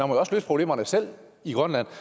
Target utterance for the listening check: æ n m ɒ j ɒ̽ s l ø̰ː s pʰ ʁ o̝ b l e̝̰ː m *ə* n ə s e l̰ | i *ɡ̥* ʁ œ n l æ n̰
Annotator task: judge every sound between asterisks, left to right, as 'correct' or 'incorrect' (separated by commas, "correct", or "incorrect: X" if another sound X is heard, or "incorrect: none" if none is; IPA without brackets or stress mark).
incorrect: ɐ, correct